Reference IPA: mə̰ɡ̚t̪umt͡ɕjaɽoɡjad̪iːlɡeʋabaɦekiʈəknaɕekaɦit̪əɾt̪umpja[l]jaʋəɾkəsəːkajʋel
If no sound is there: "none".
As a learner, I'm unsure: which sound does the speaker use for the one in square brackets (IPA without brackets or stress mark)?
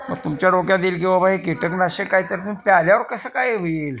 l